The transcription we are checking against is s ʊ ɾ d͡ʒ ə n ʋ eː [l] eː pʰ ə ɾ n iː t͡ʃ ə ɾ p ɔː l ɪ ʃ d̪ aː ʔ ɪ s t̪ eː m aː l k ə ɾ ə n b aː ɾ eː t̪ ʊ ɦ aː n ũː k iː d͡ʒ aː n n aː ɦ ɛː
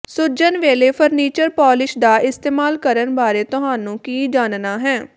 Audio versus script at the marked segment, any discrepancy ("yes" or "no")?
no